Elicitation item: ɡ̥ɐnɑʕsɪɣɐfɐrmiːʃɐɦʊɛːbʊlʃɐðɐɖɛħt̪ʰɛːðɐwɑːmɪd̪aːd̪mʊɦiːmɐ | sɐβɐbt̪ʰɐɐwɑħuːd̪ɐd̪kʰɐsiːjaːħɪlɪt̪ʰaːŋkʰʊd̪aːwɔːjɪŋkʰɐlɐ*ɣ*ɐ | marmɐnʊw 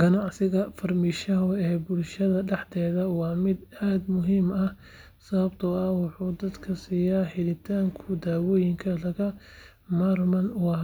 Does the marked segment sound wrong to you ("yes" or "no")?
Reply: no